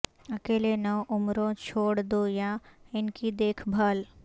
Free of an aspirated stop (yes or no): no